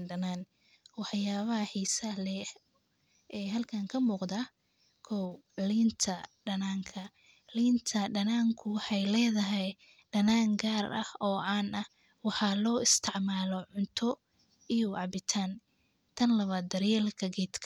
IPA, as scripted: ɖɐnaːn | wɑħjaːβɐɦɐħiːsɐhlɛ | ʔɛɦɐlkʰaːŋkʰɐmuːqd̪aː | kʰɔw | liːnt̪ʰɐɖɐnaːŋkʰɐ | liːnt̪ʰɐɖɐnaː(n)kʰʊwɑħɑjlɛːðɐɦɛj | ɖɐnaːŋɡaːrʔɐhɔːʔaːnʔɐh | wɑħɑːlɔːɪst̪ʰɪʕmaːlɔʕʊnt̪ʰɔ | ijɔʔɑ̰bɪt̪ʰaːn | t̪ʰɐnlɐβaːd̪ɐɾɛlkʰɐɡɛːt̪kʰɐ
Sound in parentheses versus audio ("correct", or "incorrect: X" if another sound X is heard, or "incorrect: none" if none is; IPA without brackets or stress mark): incorrect: ŋ